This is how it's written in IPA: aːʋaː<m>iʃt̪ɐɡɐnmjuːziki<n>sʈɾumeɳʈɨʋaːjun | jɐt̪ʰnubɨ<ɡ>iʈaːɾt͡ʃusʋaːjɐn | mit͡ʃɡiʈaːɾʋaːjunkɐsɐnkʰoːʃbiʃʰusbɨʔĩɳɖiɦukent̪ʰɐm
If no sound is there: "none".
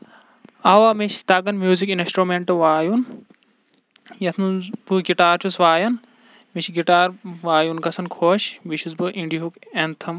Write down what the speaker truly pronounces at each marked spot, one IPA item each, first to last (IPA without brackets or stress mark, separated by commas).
m, n, ɡ